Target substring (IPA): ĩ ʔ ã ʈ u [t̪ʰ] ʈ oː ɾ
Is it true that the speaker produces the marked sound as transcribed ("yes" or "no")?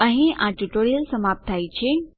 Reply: no